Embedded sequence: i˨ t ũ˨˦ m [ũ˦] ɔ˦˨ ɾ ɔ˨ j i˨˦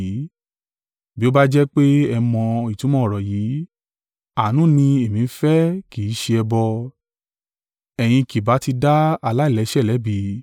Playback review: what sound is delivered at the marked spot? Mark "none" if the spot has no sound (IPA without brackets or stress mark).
ɔ̃˦